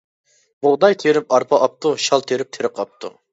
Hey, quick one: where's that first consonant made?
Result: lips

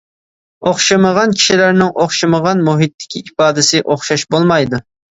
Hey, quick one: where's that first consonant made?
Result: uvula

